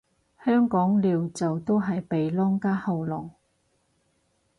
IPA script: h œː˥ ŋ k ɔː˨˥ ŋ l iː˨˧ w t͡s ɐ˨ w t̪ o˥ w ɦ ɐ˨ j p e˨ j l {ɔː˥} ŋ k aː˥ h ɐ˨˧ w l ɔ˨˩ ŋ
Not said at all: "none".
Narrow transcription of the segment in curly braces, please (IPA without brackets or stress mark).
ɔː˥